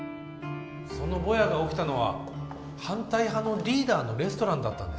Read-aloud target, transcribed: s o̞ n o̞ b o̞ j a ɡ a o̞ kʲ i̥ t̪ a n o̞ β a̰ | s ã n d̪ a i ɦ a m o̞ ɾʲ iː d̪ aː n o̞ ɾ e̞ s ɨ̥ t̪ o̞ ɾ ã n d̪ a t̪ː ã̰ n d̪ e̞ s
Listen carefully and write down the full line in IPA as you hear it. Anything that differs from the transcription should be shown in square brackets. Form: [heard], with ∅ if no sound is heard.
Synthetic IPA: s o̞ n o̞ b o̞ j a ɡ a o̞ kʲ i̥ t̪ a n o̞ β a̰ | [h] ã n [t̪] a i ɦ a [n] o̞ ɾʲ iː d̪ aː n o̞ ɾ e̞ s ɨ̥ t̪ o̞ ɾ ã n d̪ a t̪ː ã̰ n d̪ e̞ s